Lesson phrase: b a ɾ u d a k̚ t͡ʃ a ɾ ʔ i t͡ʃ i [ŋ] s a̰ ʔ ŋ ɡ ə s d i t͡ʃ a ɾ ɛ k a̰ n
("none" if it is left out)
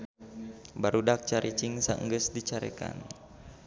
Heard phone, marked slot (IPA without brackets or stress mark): ŋ